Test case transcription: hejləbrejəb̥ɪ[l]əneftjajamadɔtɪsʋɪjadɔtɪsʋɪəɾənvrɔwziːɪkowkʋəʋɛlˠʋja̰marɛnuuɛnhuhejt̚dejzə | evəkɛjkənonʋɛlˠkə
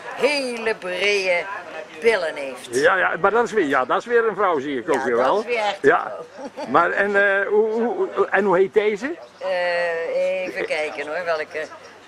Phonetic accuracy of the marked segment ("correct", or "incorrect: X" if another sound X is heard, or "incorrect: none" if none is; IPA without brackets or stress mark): correct